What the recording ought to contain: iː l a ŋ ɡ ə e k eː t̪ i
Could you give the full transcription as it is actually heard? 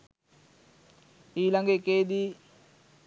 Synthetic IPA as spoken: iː l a ŋ ɡ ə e k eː d̪ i